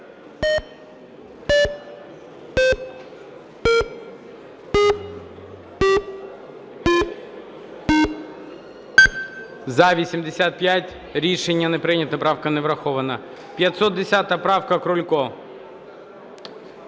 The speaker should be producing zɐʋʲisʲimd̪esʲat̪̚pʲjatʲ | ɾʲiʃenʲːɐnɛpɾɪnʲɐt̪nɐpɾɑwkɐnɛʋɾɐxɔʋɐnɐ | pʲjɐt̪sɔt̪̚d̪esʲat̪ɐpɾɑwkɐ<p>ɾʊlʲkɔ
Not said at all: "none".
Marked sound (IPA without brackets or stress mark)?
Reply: k